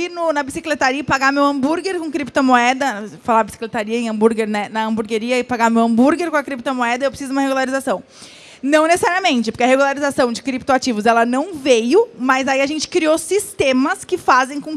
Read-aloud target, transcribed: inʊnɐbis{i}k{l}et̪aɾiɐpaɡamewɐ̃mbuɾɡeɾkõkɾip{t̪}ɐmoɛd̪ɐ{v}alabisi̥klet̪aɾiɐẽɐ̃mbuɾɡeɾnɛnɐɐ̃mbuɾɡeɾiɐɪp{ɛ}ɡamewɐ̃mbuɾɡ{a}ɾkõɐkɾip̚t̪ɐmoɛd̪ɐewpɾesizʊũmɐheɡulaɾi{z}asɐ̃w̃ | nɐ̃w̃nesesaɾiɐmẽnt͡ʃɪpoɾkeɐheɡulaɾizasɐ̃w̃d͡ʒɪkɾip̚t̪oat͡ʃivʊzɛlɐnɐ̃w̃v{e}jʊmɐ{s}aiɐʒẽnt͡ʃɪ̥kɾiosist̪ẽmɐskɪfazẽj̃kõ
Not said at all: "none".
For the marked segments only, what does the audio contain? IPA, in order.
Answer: i, l, t̪, f, a, e, z, e, z

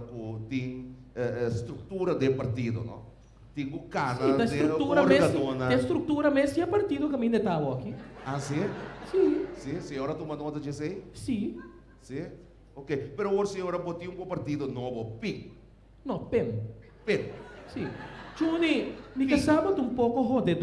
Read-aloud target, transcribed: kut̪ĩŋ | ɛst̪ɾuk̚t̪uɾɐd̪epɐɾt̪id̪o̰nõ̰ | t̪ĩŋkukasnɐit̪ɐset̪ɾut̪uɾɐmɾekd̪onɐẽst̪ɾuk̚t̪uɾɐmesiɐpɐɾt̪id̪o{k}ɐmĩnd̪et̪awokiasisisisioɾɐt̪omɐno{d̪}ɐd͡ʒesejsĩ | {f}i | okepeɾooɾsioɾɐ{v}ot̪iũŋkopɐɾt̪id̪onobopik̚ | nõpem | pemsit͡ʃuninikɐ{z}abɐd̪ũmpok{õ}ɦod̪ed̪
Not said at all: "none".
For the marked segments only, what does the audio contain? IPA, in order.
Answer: k, t̪, s, b, s, o

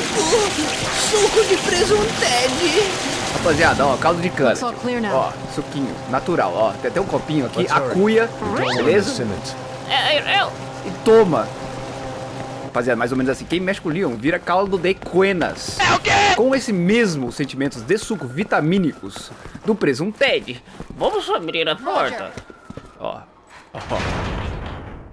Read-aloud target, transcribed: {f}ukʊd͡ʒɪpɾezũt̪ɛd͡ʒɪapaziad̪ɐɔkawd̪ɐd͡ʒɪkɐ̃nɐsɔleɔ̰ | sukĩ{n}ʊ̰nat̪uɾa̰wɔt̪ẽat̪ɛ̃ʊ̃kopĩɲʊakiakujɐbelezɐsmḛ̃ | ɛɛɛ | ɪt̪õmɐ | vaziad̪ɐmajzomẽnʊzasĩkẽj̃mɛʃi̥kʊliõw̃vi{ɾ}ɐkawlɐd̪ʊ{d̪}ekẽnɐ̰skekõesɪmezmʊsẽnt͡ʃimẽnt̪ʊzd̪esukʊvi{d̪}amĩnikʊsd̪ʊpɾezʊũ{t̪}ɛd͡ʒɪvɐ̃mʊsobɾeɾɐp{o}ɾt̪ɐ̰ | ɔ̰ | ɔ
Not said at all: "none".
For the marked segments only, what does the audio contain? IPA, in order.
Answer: s, ɲ, ɾ, d̪, t̪, t̪, ɔ

